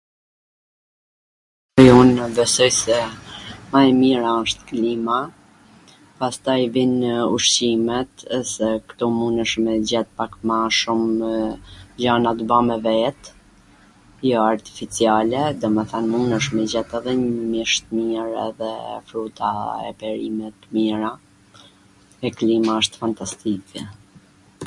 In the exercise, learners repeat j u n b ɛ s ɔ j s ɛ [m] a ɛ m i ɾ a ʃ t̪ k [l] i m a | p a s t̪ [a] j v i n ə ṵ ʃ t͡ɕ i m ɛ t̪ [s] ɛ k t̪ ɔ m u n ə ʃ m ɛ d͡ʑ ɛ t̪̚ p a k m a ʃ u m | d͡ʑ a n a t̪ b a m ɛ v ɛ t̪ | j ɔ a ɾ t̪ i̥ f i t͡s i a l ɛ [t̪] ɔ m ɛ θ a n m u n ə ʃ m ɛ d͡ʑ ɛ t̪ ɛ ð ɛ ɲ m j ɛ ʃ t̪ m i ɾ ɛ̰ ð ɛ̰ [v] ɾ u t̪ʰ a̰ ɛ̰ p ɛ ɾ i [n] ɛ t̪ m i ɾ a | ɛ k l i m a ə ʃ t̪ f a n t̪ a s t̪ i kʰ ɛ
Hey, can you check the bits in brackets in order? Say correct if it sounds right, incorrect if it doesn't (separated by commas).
correct, correct, correct, correct, incorrect, incorrect, incorrect